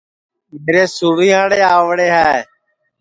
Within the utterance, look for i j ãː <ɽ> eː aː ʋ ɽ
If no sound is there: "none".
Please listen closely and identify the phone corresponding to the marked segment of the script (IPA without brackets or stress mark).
ɽ